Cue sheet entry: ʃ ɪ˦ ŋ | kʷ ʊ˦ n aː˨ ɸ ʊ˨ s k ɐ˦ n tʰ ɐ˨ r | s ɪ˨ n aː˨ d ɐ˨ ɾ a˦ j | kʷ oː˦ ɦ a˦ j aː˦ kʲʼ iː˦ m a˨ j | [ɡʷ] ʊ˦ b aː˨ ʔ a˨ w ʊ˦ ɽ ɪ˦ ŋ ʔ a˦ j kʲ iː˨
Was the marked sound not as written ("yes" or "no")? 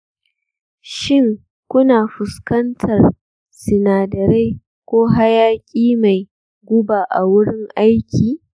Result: no